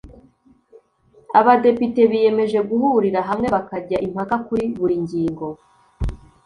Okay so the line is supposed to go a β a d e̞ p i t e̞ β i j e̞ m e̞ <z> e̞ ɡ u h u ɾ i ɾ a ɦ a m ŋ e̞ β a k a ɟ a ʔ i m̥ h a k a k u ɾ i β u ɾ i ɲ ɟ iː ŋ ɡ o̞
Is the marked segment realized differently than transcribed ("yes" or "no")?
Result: yes